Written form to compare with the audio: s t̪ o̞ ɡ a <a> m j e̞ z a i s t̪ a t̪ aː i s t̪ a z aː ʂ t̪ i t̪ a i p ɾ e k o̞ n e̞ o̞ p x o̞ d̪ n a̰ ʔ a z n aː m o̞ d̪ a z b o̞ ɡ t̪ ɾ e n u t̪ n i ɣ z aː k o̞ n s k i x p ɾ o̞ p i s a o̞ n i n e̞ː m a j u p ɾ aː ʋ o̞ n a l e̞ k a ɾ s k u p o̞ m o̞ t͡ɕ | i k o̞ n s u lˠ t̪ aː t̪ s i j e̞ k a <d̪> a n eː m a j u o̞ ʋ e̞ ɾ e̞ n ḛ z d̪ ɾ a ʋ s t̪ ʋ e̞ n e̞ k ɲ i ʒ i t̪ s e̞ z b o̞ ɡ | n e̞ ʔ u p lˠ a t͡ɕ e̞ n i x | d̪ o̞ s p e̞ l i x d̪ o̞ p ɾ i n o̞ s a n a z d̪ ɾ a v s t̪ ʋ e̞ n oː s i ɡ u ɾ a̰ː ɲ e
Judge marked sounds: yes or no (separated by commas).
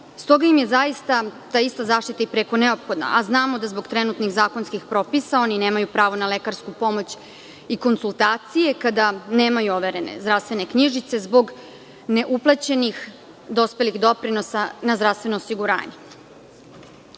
no, yes